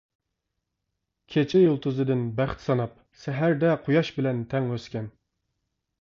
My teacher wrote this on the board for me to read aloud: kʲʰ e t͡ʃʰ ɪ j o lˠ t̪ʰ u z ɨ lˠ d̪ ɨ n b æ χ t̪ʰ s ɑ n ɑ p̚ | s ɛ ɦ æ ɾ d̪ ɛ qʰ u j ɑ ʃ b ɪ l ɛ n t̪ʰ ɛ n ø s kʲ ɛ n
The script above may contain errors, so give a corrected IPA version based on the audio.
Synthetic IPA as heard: kʲʰ e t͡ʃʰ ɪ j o lˠ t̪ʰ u z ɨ d̪ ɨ n b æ χ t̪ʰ s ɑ n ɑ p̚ | s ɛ ɦ æ ɾ d̪ ɛ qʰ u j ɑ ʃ b ɪ l ɛ n t̪ʰ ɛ ŋ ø s kʲ ɛ n